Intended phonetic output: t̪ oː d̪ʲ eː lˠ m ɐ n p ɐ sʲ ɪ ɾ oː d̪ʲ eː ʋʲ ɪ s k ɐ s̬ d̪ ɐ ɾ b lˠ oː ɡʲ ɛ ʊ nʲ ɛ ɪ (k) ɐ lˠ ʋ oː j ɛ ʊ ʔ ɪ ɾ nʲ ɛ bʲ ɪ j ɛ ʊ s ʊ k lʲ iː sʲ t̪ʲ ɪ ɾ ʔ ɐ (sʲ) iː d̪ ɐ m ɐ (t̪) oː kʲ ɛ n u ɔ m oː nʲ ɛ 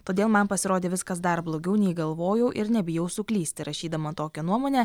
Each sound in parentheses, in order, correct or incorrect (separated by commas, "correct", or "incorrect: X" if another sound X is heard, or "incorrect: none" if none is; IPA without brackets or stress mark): incorrect: ɡ, incorrect: ʃʲ, correct